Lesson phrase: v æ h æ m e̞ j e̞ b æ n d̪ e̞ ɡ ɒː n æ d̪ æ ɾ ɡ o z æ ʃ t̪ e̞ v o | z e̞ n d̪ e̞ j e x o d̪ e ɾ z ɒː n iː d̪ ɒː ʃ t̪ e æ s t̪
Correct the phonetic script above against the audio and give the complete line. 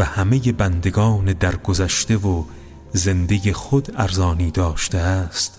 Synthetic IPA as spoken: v æ h æ m e̞ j e̞ b æ n d̪ e̞ ɡ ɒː n e d̪ æ ɾ ɡ o z æ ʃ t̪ e̞ v o | z e̞ n d̪ e̞ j e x o d̪ æ ɾ z ɒː n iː d̪ ɒː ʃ t̪ e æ s t̪